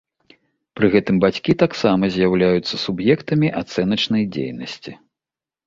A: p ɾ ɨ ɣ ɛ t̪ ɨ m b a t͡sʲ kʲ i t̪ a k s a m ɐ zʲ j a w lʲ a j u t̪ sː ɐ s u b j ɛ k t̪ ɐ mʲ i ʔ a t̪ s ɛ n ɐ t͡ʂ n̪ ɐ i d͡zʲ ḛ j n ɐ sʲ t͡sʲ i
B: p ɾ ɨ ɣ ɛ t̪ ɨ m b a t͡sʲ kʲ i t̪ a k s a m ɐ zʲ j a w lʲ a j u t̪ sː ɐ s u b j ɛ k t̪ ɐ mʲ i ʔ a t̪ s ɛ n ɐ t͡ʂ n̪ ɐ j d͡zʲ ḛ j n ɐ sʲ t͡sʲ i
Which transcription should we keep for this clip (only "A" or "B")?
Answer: B